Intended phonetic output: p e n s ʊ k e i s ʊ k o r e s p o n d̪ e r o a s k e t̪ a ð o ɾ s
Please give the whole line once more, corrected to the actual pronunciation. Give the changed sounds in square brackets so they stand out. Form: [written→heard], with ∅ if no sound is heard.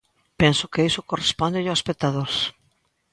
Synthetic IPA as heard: p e n s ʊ k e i s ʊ k o r e s p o n d̪ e [r→ʎ] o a s [k→p] e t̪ a ð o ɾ s